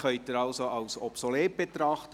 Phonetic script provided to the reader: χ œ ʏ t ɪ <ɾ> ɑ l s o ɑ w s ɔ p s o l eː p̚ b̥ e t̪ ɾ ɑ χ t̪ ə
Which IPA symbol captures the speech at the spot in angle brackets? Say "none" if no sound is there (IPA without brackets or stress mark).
ɾ